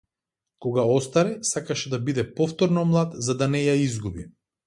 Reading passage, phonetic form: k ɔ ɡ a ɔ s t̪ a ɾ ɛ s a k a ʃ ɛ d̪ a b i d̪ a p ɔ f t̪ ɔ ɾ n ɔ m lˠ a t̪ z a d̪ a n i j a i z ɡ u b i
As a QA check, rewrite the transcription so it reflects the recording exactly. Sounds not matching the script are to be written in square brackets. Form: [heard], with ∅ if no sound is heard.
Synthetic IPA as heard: k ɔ ɡ a ɔ s t̪ a ɾ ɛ s a k a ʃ ɛ d̪ a b i d̪ [ɛ] p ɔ f t̪ ɔ ɾ n ɔ m lˠ a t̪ z a d̪ a n [ɛ] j a i z ɡ u b i